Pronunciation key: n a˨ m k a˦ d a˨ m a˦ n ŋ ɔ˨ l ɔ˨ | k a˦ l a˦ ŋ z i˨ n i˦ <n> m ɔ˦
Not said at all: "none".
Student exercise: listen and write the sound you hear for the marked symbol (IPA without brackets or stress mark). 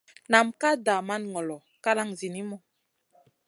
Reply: none